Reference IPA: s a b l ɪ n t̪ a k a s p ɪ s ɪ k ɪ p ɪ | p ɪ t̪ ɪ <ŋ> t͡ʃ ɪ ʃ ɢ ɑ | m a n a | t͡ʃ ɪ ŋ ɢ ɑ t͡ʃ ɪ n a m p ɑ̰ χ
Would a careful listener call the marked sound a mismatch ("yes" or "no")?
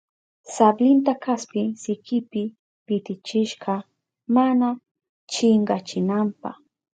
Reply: yes